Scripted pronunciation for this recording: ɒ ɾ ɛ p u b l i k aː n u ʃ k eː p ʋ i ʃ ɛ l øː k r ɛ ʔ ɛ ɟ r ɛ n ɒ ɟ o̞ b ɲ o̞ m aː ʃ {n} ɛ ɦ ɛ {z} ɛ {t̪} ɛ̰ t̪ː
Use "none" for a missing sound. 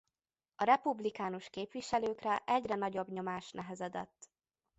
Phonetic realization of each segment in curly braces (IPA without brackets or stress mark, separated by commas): n, z, d̪